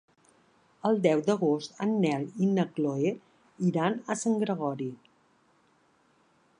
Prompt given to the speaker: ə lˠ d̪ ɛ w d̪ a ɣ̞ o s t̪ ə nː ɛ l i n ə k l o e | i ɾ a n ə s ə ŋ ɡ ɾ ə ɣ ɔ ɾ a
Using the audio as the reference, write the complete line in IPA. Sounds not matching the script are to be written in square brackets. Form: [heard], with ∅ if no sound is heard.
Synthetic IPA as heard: ə lˠ d̪ ɛ w d̪ [ə] ɣ̞ o s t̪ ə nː ɛ l i n ə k l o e | i ɾ a n ə s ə ŋ ɡ ɾ ə ɣ ɔ ɾ [i]